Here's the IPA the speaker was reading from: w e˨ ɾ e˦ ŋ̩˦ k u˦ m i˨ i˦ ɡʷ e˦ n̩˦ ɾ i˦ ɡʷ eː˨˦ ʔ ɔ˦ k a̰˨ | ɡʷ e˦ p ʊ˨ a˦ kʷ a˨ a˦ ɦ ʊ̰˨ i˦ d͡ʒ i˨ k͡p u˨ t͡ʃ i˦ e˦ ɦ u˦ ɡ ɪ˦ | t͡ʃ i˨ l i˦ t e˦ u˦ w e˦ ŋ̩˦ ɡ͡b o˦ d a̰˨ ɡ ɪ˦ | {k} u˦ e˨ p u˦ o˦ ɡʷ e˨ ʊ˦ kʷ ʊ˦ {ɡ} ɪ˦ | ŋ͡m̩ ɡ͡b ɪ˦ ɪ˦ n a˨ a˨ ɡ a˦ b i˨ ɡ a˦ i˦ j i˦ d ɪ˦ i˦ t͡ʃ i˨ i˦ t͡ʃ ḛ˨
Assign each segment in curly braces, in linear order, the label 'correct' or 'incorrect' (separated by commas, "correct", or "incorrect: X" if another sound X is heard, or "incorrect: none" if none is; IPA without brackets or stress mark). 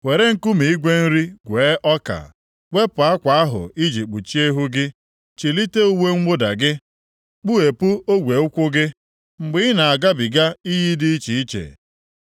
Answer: incorrect: k͡p, correct